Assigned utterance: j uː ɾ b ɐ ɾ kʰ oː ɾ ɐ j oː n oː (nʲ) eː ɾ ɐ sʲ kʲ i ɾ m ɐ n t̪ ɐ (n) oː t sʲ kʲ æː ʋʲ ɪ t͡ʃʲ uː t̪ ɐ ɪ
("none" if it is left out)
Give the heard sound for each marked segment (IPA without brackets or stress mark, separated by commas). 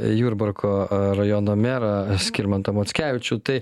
mʲ, m